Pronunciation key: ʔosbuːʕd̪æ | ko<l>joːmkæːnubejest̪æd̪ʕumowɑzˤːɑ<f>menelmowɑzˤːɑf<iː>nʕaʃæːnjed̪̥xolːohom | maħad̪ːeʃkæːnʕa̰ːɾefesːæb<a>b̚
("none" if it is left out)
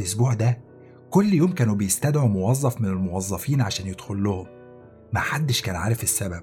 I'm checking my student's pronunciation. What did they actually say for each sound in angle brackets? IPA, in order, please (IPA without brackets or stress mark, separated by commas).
lː, f, iː, æ